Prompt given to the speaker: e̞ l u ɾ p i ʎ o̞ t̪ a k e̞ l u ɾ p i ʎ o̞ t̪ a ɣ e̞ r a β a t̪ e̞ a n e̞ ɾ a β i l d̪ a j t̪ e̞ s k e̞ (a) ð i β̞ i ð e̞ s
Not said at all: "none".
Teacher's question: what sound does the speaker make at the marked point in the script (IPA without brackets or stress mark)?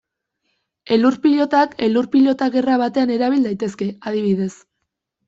a